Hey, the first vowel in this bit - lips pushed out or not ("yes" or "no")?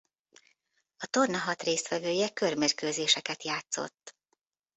yes